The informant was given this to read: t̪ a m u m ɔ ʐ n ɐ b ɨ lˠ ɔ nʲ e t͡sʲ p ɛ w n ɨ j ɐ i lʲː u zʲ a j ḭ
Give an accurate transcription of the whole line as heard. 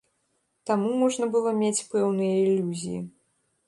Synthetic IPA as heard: t̪ a m u m ɔ ʐ n ɐ b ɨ lˠ ɔ mʲ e t͡sʲ p ɛ w n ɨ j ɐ i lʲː u zʲ i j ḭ

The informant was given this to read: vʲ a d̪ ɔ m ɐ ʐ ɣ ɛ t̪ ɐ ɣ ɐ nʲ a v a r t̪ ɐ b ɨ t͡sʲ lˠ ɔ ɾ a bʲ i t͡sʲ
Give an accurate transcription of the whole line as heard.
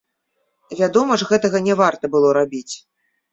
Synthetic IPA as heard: vʲ a d̪ ɔ m ɐ ʐ ɣ ɛ t̪ ɐ ɣ ɐ nʲ ɛ v a r t̪ ɐ b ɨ lˠ ɔ ɾ a bʲ i t͡sʲ

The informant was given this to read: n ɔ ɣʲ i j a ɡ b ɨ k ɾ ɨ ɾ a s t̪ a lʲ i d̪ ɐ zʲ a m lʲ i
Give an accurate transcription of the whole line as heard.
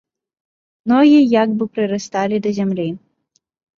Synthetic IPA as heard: n ɔ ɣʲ i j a ɡ b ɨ p ɾ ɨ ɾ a s t̪ a lʲ i d̪ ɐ zʲ a m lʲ i

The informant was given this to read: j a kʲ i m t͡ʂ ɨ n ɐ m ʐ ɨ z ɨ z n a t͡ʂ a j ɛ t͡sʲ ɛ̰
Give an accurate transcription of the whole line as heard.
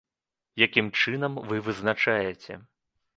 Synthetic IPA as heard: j a kʲ i m t͡ʂ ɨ n ɐ m v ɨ v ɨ z n a t͡ʂ a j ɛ t͡sʲ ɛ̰

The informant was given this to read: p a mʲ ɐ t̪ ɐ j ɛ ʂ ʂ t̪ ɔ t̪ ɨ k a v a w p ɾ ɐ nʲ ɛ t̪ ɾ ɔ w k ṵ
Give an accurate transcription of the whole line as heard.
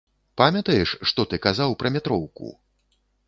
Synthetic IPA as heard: p a mʲ ɐ t̪ ɐ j ɛ ʂ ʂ t̪ ɔ t̪ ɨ k a z a w p ɾ ɐ mʲ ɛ t̪ ɾ ɔ w k ṵ

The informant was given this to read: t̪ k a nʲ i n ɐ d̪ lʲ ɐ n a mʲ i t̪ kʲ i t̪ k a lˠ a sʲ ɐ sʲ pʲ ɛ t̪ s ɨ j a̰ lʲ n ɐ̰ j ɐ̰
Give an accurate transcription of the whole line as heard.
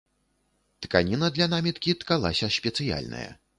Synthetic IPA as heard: t̪ k a nʲ i n ɐ d̪ lʲ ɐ n a mʲ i t̪ kʲ i t̪ k a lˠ a sʲ ɐ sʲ pʲ ɛ t̪ s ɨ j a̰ lʲ n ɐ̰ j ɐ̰

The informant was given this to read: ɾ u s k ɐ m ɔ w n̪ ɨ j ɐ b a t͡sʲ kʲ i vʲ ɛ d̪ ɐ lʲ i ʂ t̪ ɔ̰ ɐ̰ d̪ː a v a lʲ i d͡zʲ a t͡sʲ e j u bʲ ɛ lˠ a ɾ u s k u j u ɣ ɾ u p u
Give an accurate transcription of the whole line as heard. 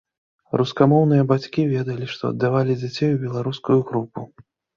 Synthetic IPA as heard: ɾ u s k a m ɔ w n̪ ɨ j ɐ b a t͡sʲ kʲ i vʲ ɛ d̪ ɐ lʲ i ʂ t̪ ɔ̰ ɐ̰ d̪ː a v a lʲ i d͡zʲ a t͡sʲ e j u bʲ ɛ lˠ a ɾ u s k u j u ɣ ɾ u p u

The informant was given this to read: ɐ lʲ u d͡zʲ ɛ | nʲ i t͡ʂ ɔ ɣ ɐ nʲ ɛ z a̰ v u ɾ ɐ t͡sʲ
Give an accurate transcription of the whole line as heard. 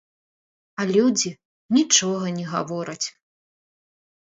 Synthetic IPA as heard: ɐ lʲ u d͡zʲ i | nʲ i t͡ʂ ɔ ɣ ɐ nʲ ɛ ɣ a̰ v ɔ ɾ ɐ t͡sʲ

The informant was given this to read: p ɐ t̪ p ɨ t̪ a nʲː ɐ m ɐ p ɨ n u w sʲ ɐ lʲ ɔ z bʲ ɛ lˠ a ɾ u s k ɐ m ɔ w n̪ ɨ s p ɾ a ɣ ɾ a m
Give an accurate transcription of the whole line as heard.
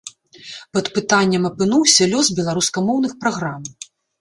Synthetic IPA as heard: p ɐ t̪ p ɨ t̪ a nʲː ɐ m ɐ p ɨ n u w sʲ ɐ lʲ ɔ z bʲ ɛ lˠ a ɾ u s k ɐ m ɔ w n̪ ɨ x p ɾ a ɣ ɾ a m

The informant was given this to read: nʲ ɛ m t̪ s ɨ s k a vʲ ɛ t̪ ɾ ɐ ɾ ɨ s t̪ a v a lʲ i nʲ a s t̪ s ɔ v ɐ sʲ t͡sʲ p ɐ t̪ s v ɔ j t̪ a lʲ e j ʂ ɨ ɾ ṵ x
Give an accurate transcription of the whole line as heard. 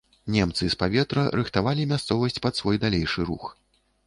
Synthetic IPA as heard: nʲ ɛ m t̪ s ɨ s p a vʲ ɛ t̪ ɾ ɐ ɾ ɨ x t̪ a v a lʲ i mʲ a s t̪ s ɔ v ɐ sʲ t͡sʲ p ɐ t̪ s v ɔ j d̪ a lʲ e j ʂ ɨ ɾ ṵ x

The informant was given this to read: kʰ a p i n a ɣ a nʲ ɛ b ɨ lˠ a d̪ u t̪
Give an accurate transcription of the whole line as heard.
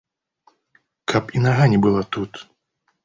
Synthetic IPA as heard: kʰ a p i n a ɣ a nʲ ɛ b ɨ lˠ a t̪ u t̪

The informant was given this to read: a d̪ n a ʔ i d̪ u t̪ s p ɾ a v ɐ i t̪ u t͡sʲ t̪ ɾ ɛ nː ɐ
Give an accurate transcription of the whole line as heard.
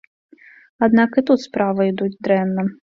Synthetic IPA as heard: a d̪ n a k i t̪ u t̪ s p ɾ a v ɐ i d̪ u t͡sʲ d̪ ɾ ɛ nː ɐ

